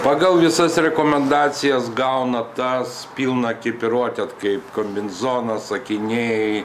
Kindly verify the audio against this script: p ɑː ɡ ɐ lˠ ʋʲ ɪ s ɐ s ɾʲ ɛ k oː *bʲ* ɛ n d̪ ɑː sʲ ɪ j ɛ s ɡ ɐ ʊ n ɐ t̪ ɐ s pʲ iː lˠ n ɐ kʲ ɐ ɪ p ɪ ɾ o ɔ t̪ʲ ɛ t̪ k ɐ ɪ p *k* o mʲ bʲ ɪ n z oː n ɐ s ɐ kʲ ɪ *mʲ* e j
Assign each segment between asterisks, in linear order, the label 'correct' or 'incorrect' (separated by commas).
incorrect, correct, incorrect